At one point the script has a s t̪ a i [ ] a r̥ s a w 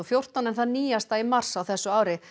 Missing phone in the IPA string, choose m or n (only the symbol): m